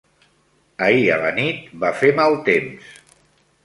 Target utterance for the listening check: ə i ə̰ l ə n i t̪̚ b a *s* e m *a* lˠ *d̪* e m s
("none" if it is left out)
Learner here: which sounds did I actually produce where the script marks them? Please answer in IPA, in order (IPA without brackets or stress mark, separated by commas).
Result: f, a, t̪